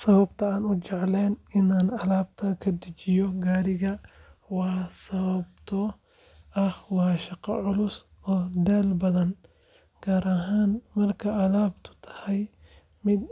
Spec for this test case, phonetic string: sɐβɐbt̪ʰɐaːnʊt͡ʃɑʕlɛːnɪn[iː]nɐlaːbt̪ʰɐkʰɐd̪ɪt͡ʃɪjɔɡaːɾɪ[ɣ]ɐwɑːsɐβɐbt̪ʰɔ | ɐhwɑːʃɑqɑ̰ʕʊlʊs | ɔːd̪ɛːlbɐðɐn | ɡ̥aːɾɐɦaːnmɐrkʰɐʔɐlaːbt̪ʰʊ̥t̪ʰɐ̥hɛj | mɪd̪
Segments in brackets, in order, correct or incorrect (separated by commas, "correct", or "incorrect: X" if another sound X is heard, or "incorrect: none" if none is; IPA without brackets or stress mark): incorrect: aː, correct